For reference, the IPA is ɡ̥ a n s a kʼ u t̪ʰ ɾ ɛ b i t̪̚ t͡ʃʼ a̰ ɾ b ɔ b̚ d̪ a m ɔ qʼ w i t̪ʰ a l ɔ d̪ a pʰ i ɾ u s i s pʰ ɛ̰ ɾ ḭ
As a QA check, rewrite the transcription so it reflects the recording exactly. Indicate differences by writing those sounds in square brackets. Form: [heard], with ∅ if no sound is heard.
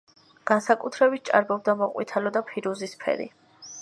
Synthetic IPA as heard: ɡ̥ a n s a kʼ u t̪ʰ ɾ ɛ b i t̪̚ t͡ʃʼ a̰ ɾ b ɔ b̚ d̪ a m ɔ qʼ w i t̪ʰ a l ɔ d̪ a pʰ i ɾ u [z] i s pʰ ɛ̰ ɾ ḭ

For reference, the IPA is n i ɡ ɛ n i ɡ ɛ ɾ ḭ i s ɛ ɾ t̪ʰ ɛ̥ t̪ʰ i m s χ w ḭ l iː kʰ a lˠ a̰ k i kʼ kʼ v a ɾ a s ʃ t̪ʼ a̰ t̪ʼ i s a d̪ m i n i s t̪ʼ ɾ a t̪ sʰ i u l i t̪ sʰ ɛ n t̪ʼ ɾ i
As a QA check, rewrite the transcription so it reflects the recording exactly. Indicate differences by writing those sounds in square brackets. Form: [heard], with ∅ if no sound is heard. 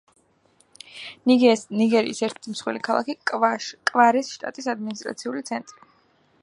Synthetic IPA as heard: n i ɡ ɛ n i ɡ ɛ ɾ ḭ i s ɛ ɾ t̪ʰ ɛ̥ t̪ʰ i m s χ w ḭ l [i] kʰ a lˠ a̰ k i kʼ kʼ v a ɾ [ɛ] s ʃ t̪ʼ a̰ t̪ʼ i s a d̪ m i n i s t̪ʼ ɾ a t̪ sʰ i u l i t̪ sʰ ɛ n t̪ʼ ɾ i

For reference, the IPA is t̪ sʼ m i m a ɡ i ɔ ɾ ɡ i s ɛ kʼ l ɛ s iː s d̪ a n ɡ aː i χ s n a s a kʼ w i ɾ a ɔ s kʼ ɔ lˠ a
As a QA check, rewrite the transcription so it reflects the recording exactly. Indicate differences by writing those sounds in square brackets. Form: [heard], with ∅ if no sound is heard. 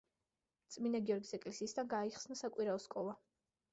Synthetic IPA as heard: t̪ sʼ m i [n] a ɡ i ɔ ɾ ɡ i s ɛ kʼ l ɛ s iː s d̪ a n ɡ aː i χ s n a s a kʼ w i ɾ a ɔ s kʼ ɔ lˠ a

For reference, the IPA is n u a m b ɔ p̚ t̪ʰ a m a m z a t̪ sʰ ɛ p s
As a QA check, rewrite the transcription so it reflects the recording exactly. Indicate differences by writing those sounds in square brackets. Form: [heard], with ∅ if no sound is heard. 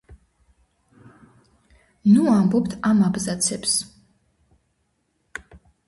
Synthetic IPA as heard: n u a m b ɔ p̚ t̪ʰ a m a [b] z a t̪ sʰ ɛ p s

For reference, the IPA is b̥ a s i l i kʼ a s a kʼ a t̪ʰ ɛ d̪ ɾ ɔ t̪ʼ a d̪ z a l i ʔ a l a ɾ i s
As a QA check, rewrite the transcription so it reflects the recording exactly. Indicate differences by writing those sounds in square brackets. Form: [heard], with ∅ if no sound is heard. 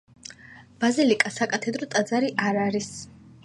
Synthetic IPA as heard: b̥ a [z] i l i kʼ a s a kʼ a t̪ʰ ɛ d̪ ɾ ɔ t̪ʼ a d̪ z a [ɾ] i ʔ a [ɾ] a ɾ i s

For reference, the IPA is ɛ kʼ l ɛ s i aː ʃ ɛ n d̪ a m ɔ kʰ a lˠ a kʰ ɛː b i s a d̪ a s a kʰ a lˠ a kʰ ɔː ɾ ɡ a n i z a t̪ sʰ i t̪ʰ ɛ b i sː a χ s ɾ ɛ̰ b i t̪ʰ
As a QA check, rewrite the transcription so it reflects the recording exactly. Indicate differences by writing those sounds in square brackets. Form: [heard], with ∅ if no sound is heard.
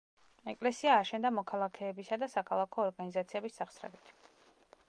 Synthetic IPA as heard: ɛ kʼ l ɛ s i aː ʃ ɛ n d̪ a m ɔ kʰ a lˠ a kʰ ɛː b i s a d̪ a s a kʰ a lˠ a kʰ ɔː ɾ ɡ a n i z a t̪ sʰ i [∅] ɛ b i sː a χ s ɾ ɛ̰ b i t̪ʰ

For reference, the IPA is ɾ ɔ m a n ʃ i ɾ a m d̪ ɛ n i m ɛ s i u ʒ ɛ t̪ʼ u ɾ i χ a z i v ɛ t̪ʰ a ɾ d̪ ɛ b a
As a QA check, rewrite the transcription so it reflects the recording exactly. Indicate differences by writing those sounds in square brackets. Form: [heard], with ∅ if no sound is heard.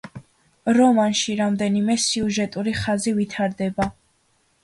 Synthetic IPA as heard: ɾ ɔ m a n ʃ i ɾ a m d̪ ɛ n i m ɛ s i u ʒ ɛ t̪ʼ u ɾ i χ a z i v [i] t̪ʰ a ɾ d̪ ɛ b a

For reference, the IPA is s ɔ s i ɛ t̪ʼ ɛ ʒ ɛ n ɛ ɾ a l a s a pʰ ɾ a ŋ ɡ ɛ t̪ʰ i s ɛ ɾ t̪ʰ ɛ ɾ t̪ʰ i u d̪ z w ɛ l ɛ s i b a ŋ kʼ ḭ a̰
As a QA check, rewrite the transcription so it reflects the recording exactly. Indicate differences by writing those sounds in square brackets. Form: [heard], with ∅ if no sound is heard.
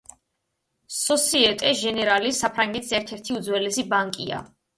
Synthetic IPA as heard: s ɔ s i ɛ t̪ʼ ɛ ʒ ɛ n ɛ ɾ a l [i] s a pʰ ɾ a ŋ ɡ ɛ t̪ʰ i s ɛ ɾ t̪ʰ ɛ ɾ t̪ʰ i u d̪ z w ɛ l ɛ s i b a ŋ kʼ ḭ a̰

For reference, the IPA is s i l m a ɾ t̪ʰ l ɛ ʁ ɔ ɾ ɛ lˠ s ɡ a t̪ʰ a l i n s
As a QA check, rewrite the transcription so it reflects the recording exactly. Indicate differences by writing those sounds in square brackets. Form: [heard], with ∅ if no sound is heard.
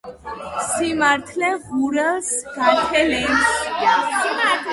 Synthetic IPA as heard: s i [∅] m a ɾ t̪ʰ l ɛ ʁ [u] ɾ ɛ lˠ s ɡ a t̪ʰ [ɛ] l [ɛ] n s

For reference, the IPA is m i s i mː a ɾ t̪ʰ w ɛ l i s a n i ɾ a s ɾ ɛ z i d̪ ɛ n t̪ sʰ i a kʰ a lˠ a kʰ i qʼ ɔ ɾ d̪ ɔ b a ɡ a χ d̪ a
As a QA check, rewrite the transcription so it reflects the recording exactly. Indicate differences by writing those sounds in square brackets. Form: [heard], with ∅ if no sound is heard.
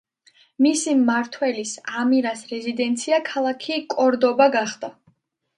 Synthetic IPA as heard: m i s i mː a ɾ t̪ʰ w ɛ l i s a [m] i ɾ a s ɾ ɛ z i d̪ ɛ n t̪ sʰ i a kʰ a lˠ a kʰ i [kʼ] ɔ ɾ d̪ ɔ b a ɡ a χ d̪ a

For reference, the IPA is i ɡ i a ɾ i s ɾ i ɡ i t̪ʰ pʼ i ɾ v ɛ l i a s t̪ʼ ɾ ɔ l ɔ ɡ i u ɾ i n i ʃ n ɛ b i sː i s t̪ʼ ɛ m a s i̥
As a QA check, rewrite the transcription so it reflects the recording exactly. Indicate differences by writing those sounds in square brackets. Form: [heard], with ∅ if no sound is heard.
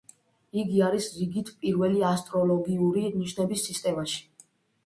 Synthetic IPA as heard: i ɡ i a ɾ i s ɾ i ɡ i t̪ʰ pʼ i ɾ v ɛ l i a s t̪ʼ ɾ ɔ l ɔ ɡ i u ɾ i n i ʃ n ɛ b i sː i s t̪ʼ ɛ m a [ʃ] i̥

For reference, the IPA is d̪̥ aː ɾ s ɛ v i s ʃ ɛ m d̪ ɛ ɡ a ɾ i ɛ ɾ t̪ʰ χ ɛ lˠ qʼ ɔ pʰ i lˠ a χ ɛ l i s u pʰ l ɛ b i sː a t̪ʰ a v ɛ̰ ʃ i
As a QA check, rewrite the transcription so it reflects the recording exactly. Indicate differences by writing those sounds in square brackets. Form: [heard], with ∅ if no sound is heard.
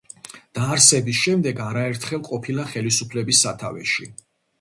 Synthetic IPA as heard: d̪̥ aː ɾ s ɛ [b] i s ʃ ɛ m d̪ ɛ ɡ a ɾ [a] ɛ ɾ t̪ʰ χ ɛ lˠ qʼ ɔ pʰ i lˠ a χ ɛ l i s u pʰ l ɛ b i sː a t̪ʰ a v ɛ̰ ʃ i

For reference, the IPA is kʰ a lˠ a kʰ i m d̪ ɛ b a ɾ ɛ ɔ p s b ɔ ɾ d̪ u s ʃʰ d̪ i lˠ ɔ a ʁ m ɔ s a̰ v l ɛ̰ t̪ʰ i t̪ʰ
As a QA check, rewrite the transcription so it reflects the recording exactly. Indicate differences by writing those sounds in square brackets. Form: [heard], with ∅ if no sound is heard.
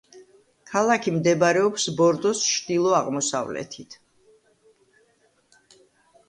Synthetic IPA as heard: kʰ a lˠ a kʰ i m d̪ ɛ b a ɾ ɛ ɔ p s b ɔ ɾ d̪ [ɔ] s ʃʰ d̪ i lˠ ɔ a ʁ m ɔ s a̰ v l ɛ̰ t̪ʰ i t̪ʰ

